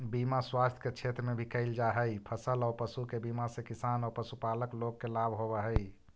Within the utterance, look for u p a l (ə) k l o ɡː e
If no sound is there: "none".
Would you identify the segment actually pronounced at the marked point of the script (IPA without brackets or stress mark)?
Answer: ə